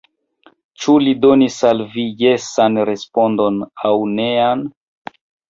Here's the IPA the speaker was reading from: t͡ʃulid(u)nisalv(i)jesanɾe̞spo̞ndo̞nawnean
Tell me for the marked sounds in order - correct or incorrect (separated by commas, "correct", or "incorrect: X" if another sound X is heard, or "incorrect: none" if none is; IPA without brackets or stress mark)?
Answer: incorrect: o, correct